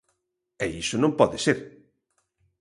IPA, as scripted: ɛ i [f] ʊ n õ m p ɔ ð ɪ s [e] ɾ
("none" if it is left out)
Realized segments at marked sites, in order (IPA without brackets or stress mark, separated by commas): s, e